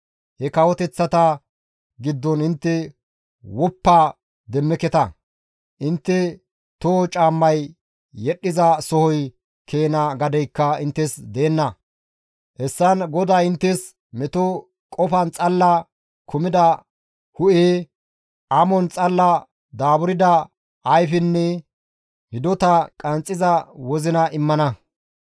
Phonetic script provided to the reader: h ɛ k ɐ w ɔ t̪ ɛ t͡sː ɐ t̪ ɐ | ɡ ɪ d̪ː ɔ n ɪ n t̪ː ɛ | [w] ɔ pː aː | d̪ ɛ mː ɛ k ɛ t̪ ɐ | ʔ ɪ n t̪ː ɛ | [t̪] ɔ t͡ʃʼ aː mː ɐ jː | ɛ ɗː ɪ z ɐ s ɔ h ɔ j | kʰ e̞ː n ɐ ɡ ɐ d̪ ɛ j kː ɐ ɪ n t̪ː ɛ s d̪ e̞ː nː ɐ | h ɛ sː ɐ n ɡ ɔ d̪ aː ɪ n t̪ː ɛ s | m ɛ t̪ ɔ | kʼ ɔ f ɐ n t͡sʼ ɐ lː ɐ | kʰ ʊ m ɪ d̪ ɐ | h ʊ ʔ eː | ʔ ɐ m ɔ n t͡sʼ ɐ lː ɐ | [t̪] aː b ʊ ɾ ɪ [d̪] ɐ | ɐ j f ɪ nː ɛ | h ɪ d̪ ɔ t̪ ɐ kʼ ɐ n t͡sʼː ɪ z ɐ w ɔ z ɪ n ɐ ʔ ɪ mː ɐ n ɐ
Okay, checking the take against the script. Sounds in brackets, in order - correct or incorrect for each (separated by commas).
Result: correct, correct, incorrect, correct